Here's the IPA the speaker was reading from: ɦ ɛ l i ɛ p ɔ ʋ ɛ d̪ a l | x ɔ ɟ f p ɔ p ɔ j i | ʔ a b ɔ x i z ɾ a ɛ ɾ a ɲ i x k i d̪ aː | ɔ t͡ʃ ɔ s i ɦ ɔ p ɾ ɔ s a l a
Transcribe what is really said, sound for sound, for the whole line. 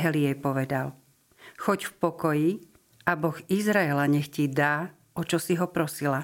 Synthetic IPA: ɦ ɛ l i ɛ p ɔ ʋ ɛ d̪ a l | x ɔ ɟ f p ɔ k ɔ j i | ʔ a b ɔ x i z ɾ a ɛ l a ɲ ɛ x c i d̪ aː | ɔ t͡ʃ ɔ s i ɦ ɔ p ɾ ɔ s i l a